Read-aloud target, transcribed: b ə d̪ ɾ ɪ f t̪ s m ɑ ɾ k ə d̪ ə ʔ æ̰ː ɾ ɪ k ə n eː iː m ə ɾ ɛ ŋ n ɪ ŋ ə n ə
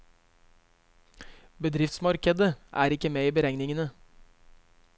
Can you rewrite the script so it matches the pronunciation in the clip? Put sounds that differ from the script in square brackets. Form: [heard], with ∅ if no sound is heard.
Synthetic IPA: b ə d̪ ɾ ɪ f t̪ s m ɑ ɾ k ə d̪ ə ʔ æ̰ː ɾ ɪ k ə [m] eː iː [b] ə ɾ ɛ ŋ n ɪ ŋ ə n ə